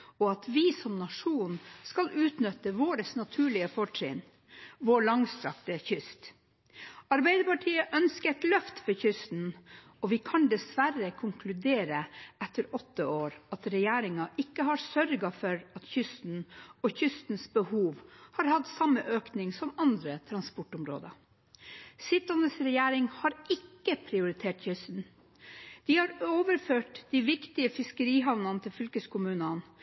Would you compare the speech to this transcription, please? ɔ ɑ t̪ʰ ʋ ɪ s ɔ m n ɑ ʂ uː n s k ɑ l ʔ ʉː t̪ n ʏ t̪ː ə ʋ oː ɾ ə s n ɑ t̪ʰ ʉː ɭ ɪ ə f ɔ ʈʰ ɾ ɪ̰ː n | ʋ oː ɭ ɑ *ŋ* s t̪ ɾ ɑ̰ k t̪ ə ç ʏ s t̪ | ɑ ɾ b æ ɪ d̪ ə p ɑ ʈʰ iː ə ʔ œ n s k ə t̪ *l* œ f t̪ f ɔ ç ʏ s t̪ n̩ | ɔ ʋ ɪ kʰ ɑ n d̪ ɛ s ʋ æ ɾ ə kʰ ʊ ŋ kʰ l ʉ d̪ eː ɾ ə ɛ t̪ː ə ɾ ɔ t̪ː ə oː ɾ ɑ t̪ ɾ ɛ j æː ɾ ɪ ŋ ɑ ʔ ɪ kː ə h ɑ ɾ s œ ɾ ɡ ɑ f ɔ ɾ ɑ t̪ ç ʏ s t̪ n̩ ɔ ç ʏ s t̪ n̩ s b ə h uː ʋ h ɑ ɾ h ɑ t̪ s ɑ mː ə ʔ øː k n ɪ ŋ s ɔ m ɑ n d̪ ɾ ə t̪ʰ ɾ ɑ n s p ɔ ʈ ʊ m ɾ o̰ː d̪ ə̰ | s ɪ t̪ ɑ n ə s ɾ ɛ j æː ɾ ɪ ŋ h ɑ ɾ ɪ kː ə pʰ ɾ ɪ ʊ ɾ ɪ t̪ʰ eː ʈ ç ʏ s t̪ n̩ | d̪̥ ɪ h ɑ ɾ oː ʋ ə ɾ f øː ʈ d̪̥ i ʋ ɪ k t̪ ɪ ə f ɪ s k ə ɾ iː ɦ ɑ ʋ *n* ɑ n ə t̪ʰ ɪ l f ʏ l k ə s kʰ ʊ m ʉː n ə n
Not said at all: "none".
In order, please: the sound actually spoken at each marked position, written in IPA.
ŋ, l, n

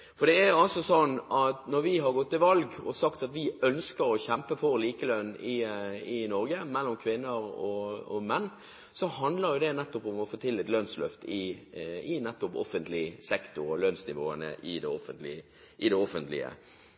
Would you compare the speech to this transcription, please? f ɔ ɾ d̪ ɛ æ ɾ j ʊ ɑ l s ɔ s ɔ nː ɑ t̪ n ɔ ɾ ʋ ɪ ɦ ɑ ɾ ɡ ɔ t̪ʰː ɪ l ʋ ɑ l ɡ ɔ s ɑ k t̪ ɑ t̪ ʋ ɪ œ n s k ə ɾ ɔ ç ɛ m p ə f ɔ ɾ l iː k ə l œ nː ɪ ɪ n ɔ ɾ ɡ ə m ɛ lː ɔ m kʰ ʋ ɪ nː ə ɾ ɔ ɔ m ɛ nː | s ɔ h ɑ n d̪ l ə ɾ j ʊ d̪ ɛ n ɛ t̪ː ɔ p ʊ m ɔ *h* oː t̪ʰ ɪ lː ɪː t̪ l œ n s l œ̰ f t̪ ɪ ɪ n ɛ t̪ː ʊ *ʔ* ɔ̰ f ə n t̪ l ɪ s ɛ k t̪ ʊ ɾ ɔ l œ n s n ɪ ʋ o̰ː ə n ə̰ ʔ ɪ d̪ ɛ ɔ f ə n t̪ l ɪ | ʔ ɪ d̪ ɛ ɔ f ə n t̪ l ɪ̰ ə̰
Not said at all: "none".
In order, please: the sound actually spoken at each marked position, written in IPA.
f, p

